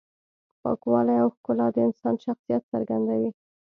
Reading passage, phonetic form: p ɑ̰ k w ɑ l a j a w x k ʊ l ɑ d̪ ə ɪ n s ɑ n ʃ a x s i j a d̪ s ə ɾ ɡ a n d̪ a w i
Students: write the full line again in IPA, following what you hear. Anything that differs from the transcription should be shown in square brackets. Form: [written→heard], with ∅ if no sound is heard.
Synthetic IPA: p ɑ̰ k w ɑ l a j a w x k ʊ l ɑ d̪ ə ɪ n s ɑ n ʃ a x s i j a [d̪→t̪] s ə ɾ ɡ a n d̪ a w i